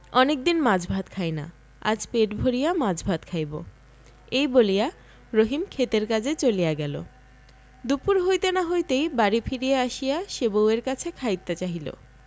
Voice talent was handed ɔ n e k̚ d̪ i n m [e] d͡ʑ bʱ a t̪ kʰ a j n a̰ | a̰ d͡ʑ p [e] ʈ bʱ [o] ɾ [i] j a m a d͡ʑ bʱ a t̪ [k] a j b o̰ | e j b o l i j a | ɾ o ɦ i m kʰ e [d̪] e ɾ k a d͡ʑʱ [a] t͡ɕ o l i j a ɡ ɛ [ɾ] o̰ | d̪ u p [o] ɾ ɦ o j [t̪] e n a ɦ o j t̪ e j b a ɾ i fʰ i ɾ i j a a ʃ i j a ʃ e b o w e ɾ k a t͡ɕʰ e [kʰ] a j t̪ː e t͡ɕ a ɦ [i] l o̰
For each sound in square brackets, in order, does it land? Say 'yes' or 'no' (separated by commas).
no, yes, yes, yes, no, no, no, no, no, yes, yes, yes